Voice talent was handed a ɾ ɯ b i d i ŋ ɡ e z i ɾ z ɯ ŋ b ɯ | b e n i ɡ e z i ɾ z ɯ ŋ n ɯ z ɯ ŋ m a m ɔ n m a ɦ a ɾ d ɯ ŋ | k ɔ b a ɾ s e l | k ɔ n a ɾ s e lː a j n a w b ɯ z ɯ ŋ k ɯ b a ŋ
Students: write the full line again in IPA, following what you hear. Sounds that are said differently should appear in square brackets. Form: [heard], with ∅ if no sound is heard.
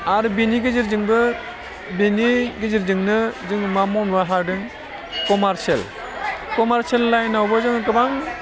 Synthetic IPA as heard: a ɾ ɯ b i [n] i [∅] ɡ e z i ɾ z ɯ ŋ b ɯ | b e n i ɡ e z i ɾ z ɯ ŋ n ɯ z ɯ ŋ m a m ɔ n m a ɦ a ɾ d ɯ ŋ | k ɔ [m] a ɾ s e l | k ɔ [m] a ɾ s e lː a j n a w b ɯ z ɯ ŋ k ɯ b a ŋ